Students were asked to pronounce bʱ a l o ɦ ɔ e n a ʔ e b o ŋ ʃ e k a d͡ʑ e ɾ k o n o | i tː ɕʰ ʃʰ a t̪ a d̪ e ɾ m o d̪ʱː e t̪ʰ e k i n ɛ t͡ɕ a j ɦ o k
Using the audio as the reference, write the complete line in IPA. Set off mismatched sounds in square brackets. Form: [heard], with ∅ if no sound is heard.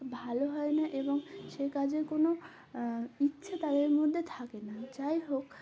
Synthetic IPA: bʱ a l o ɦ ɔ e n a ʔ e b o ŋ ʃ e k a d͡ʑ e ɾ k o n o | i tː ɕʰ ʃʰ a t̪ a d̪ e ɾ m o d̪ʱː e t̪ʰ [a] k [e] n [a] t͡ɕ a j ɦ o k